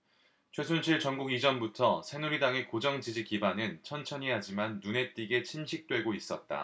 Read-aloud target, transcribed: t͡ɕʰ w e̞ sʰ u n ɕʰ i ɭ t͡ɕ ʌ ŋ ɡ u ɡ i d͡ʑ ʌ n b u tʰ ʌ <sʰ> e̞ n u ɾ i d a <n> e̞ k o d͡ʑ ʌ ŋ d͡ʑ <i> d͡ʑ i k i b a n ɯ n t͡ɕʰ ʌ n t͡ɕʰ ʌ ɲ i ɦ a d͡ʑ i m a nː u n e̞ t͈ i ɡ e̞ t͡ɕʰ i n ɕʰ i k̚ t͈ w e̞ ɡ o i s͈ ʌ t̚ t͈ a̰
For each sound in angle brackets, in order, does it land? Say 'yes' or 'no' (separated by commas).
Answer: yes, no, yes